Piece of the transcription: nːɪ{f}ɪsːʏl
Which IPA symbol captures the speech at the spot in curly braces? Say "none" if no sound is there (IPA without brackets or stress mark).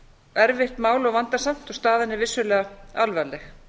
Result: v